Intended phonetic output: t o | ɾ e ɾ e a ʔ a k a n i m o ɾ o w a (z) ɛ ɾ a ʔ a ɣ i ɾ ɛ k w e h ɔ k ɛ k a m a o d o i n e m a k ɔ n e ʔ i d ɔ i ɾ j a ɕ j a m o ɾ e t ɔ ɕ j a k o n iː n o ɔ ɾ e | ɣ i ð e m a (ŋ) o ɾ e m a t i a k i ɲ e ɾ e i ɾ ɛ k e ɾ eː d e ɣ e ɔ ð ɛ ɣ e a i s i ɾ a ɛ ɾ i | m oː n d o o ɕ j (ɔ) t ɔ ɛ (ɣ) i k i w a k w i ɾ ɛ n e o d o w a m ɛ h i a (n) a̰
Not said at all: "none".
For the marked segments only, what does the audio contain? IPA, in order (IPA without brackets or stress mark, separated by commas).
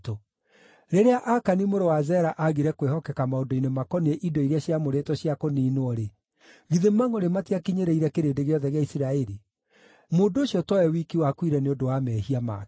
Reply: z, ŋ, ɔ, w, m